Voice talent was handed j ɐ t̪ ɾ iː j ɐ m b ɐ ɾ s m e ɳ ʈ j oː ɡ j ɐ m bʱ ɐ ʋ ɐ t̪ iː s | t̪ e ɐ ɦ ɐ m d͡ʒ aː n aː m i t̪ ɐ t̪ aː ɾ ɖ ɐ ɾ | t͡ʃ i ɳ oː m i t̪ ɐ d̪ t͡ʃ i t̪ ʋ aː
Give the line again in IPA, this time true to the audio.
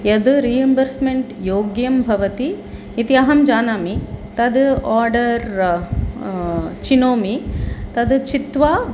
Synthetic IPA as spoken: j ɐ d̪ ɾ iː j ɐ m b ɐ ɾ s m e ɳ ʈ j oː ɡ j ɐ m bʱ ɐ ʋ ɐ t̪ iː | t̪ i ɐ ɦ ɐ m d͡ʒ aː n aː m i t̪ ɐ d̪ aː ɾ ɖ ɐ ɾ | t͡ʃ i n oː m i t̪ ɐ d̪ t͡ʃ i t̪ ʋ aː

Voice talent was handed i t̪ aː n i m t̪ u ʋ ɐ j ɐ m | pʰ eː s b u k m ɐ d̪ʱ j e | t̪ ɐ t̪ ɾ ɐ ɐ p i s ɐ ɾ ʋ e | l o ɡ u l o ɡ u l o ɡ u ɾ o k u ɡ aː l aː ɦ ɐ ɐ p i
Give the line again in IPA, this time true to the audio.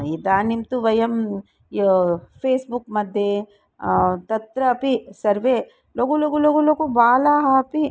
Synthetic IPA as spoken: i d̪ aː n i m t̪ u ʋ ɐ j ɐ m | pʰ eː s b u k m ɐ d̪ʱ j e | t̪ ɐ t̪ ɾ ɐ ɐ p i s ɐ ɾ ʋ e | l o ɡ u l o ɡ u l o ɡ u l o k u b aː l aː ɦ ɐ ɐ p i

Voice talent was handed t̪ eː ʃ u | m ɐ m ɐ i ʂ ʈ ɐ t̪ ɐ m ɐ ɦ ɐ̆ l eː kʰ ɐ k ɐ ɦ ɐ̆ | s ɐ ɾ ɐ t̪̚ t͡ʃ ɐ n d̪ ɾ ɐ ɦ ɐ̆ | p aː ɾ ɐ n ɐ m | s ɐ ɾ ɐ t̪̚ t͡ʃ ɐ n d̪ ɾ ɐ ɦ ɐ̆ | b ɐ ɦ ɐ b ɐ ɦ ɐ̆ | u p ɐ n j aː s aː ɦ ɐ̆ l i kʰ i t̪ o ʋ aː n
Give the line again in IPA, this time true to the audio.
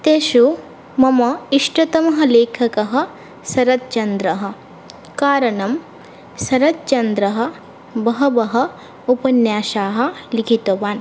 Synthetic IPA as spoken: t̪ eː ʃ u | m ɐ m ɐ i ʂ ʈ ɐ t̪ ɐ m ɐ ɦ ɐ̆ l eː kʰ ɐ k ɐ ɦ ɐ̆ | s ɐ ɾ ɐ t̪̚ t͡ʃ ɐ n d̪ ɾ ɐ ɦ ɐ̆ | k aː ɾ ɐ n ɐ m | s ɐ ɾ ɐ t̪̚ t͡ʃ ɐ n d̪ ɾ ɐ ɦ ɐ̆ | b ɐ ɦ ɐ b ɐ ɦ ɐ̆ | u p ɐ n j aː ʃ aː ɦ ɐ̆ l i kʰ i t̪ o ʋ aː n

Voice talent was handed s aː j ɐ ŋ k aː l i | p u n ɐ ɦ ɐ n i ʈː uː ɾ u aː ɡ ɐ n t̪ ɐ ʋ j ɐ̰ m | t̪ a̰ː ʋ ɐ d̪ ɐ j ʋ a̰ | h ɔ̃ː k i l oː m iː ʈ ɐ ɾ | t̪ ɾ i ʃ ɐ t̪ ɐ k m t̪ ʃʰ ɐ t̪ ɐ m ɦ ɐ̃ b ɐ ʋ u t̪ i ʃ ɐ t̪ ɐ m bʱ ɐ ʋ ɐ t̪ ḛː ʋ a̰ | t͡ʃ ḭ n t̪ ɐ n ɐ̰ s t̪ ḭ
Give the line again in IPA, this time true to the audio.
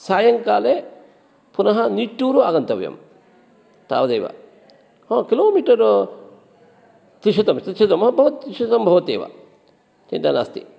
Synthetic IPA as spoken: s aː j ɐ ŋ k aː l e | p u n ɐ ɦ ɐ n i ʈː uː ɾ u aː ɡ ɐ n t̪ ɐ ʋ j ɐ̰ m | t̪ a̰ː ʋ ɐ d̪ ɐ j ʋ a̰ | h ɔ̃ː k i l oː m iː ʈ ɐ ɾ | t̪ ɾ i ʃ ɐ t̪ ɐ m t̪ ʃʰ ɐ t̪ ɐ m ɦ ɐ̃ b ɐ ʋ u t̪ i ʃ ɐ t̪ ɐ m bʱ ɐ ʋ ɐ t̪ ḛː ʋ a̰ | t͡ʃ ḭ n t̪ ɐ n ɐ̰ s t̪ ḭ

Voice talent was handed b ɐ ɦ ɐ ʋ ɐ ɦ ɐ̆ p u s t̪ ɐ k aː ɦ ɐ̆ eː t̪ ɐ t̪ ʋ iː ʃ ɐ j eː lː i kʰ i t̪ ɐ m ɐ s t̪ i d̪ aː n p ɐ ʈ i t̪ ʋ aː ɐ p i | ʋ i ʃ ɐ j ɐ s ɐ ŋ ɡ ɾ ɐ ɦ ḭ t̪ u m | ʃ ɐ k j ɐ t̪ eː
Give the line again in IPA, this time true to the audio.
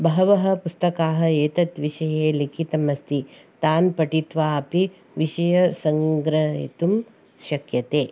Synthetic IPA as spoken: b ɐ ɦ ɐ ʋ ɐ ɦ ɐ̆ p u s t̪ ɐ k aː ɦ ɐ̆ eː t̪ ɐ t̪ ʋ i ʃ ɐ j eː l i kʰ i t̪ ɐ m ɐ s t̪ i t̪ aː n p ɐ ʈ i t̪ ʋ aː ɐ p i | ʋ i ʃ ɐ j ɐ s ɐ ŋ ɡ ɾ ɐ ɦ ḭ t̪ u m | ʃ ɐ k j ɐ t̪ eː

